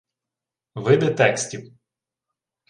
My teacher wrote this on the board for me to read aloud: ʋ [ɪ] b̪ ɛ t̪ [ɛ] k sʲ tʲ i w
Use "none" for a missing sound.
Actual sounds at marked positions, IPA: ɪ, ɛ

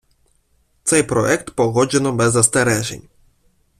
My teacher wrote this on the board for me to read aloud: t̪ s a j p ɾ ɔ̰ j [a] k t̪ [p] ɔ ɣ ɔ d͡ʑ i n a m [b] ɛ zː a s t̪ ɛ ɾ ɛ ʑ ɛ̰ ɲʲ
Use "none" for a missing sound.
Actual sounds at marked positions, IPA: ɛ, p, b

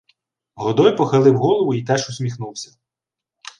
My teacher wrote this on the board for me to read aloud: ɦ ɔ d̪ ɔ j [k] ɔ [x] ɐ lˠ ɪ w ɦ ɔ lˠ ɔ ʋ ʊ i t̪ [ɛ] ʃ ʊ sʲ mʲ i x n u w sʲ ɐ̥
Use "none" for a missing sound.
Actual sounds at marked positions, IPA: p, x, ɛ

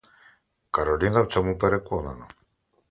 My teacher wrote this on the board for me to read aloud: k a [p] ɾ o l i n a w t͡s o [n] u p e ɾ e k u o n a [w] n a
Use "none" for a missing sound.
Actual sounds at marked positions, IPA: none, m, none

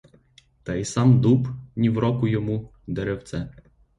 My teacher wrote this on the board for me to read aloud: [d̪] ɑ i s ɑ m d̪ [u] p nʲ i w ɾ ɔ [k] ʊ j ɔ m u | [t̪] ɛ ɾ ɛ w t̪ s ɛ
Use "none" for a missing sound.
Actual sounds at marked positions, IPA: t̪, u, k, d̪

